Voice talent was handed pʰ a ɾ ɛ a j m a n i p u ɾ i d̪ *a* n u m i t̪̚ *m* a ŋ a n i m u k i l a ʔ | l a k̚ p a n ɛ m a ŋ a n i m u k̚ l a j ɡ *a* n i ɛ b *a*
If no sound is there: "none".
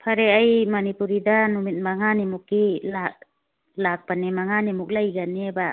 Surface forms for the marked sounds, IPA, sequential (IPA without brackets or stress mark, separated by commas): a, m, a, a